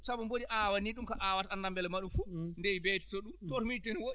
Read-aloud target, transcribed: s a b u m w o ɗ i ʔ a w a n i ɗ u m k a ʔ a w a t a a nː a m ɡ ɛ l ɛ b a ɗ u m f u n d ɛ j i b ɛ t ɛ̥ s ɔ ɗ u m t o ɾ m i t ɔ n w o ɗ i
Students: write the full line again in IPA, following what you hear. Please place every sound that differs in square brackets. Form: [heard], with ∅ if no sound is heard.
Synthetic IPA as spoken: s a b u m [b] o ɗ i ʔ a w a n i ɗ u m k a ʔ a w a t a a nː a m [b] ɛ l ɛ [m] a ɗ u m f u n d ɛ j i b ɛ t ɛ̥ [t] ɔ ɗ u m t o ɾ m i t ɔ n w o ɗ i

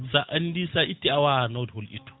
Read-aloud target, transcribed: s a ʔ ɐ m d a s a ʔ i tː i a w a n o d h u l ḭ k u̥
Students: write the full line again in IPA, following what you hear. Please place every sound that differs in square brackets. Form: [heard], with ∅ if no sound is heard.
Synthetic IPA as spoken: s a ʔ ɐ [n] d [i] s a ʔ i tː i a w a n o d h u l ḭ [t] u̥

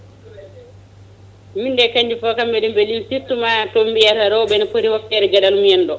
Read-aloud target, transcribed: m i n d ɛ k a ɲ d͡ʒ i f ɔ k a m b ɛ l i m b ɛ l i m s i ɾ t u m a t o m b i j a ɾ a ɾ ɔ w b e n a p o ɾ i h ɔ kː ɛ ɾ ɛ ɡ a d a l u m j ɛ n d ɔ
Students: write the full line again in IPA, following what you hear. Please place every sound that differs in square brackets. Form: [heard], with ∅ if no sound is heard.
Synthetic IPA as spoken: m i n d ɛ k a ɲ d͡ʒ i f ɔ k a m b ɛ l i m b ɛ l i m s i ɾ t u m a t o m b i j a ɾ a ɾ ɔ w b [ɛ] n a p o ɾ i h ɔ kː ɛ ɾ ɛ ɡ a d a l u m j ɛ n d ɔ

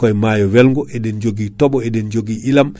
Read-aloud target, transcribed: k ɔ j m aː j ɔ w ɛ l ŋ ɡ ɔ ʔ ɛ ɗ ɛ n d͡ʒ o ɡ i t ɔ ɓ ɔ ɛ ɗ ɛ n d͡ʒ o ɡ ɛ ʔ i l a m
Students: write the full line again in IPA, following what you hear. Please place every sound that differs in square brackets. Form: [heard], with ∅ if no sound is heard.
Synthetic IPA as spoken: k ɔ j m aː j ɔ w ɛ l ŋ ɡ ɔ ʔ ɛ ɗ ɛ n d͡ʒ o ɡ i t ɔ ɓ ɔ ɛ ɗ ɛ n d͡ʒ o ɡ [i] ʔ i l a m

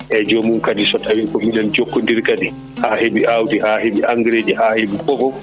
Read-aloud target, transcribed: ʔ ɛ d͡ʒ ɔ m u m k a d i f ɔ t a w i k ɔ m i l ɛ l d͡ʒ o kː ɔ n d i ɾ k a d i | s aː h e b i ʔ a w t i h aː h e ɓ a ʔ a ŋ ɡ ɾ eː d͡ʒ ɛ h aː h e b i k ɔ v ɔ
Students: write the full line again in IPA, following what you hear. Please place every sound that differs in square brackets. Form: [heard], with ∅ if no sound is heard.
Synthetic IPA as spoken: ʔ ɛ d͡ʒ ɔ m u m k a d i [s] ɔ t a w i k ɔ m i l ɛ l d͡ʒ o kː ɔ n d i ɾ k a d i | [h] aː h e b i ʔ a w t i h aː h e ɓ [i] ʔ a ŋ ɡ ɾ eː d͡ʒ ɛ h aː h e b i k ɔ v ɔ

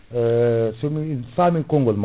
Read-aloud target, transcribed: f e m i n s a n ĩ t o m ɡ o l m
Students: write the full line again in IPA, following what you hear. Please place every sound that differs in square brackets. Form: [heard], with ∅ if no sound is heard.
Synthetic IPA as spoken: [s] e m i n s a [m] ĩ [k] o [ŋ] ɡ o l m

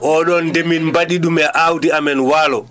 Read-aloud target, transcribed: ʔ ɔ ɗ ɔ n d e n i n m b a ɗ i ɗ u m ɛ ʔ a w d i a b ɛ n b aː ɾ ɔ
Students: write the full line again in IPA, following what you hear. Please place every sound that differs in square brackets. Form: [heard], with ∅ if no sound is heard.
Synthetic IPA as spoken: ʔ ɔ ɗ ɔ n d e [m] i n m b a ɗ i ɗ u m ɛ ʔ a w d i a [m] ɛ n [w] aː [l] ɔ

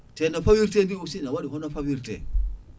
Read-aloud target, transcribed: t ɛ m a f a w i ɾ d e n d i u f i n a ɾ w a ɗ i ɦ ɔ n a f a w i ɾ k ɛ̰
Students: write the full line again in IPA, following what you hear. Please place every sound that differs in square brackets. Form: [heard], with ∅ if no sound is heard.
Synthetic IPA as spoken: t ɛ [n] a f a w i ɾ [t] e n d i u [s] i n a [∅] w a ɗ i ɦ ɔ n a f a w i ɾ [t] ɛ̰

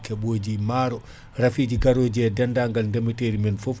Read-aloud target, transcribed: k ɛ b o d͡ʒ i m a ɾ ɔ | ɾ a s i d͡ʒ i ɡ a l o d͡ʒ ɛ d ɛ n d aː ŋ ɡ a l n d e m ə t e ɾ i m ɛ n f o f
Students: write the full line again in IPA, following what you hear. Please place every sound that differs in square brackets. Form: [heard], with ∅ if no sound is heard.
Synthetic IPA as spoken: k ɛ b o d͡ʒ i m a ɾ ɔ | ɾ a [f] i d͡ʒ i ɡ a [ɾ] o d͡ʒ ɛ d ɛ n d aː ŋ ɡ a l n d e m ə t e ɾ i m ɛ n f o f

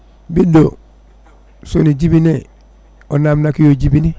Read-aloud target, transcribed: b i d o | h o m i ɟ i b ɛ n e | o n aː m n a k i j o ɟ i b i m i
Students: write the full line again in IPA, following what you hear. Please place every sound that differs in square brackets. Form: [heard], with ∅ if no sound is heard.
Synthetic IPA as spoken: b i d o | [s] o [n] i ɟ i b [i] n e | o n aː m n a k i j o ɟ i b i [n] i

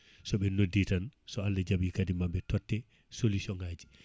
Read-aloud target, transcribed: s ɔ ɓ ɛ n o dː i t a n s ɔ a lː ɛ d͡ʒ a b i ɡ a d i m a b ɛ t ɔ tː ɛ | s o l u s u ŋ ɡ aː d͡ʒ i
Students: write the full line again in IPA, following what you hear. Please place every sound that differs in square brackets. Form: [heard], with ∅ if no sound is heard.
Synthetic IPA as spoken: s ɔ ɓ ɛ n o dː i t a n s ɔ a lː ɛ d͡ʒ a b i [k] a d i m a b ɛ t ɔ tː ɛ | s o l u s [ɔ] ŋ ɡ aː d͡ʒ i

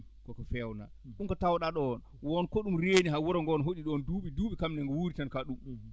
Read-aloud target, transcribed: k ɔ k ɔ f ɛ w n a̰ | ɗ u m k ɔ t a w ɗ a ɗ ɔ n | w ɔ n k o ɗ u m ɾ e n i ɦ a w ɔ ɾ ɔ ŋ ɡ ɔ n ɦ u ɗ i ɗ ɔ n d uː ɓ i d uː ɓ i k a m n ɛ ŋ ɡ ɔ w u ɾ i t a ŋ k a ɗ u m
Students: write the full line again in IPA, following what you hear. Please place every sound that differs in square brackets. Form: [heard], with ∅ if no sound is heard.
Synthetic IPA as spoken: k ɔ k ɔ f ɛ w n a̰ | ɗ u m k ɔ t a w ɗ a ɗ ɔ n | w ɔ n k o ɗ u m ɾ e n i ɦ a w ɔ ɾ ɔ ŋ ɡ ɔ n ɦ [o] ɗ i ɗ ɔ n d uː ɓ i d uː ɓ i k a m n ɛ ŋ ɡ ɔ w u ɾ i t a [n] k a ɗ u m

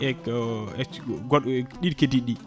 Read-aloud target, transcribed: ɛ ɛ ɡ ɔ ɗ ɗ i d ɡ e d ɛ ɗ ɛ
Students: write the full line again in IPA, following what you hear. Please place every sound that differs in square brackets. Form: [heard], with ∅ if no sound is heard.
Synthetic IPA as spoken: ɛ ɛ ɡ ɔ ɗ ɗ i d [k] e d [i] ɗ [i]

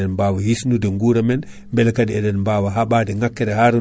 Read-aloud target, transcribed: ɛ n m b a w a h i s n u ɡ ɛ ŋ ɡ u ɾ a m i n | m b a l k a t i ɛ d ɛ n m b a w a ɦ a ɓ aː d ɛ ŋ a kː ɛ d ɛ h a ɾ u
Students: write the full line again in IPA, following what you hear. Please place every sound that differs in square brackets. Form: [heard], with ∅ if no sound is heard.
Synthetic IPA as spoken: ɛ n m b a w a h i s n u [d] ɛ ŋ ɡ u ɾ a m [ɛ] n | m b [ɛ] l k a [d] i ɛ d ɛ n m b a w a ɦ a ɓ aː d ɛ ŋ a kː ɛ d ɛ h a ɾ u

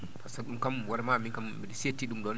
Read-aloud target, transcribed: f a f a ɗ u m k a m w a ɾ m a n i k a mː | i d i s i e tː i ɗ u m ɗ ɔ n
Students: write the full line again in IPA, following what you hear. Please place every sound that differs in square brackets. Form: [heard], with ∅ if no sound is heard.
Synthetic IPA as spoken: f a [s] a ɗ u m k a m w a ɾ m a [m] i k a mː | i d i s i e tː i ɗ u m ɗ ɔ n

